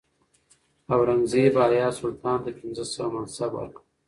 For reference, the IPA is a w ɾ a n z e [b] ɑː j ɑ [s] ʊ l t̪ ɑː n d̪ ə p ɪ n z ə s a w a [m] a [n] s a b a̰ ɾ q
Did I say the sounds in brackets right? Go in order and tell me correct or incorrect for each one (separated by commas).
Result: correct, correct, correct, correct